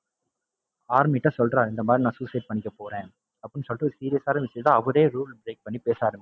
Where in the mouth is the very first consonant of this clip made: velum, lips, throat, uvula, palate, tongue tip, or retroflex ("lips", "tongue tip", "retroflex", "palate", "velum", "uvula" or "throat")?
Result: tongue tip